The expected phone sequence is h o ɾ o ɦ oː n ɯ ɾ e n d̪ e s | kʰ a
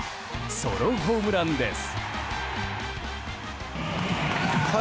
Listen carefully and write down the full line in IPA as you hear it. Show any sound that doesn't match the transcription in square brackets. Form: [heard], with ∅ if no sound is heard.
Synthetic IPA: [s] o ɾ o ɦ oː [m] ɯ ɾ [a] n d̪ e s | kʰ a